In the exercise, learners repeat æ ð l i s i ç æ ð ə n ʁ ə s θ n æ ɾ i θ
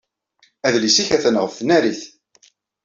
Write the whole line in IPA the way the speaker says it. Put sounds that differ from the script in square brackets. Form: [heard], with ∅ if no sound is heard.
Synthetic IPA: æ ð l i s i ç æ [θ] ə n ʁ ə [f] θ n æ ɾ i θ